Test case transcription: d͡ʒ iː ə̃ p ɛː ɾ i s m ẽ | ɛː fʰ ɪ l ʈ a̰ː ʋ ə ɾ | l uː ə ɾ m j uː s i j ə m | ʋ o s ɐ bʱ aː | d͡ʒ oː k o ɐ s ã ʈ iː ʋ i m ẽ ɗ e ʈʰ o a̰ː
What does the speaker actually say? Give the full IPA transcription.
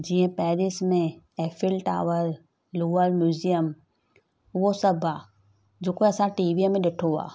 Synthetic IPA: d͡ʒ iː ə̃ p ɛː ɾ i s m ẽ | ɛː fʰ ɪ l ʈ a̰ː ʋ ə ɾ | l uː ə ɾ m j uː z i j ə m | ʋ o s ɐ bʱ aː | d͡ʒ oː k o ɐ s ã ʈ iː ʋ i m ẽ ɗ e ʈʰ o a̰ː